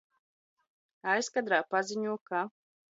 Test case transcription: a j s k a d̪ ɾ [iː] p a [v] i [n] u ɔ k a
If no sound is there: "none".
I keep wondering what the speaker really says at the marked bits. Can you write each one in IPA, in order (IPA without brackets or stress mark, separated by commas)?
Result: aː, z, ɲ